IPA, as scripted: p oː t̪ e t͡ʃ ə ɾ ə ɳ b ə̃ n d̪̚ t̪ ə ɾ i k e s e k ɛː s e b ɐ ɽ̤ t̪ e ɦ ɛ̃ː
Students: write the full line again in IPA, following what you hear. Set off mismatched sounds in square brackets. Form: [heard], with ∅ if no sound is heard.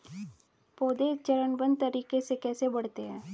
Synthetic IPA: p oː [d̪] e t͡ʃ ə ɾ ə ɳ b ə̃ n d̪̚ t̪ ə ɾ [iː] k e s e k ɛː s e b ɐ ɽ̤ t̪ e ɦ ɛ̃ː

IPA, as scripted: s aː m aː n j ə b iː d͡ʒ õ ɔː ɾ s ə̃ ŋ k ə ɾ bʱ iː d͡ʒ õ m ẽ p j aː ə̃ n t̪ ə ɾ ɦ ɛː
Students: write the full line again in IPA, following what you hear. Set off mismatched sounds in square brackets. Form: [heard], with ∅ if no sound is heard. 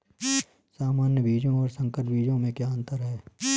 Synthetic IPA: s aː m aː n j ə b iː d͡ʒ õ ɔː ɾ s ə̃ ŋ k ə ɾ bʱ iː d͡ʒ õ m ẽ [k] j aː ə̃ n t̪ ə ɾ ɦ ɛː

